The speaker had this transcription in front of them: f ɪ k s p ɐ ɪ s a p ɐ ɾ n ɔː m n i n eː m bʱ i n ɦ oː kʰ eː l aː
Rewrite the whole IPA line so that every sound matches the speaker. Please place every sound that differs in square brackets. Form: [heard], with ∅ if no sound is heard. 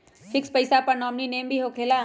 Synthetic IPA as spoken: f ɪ k s p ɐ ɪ s a p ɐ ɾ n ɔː m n i n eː m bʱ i [∅] ɦ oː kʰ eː l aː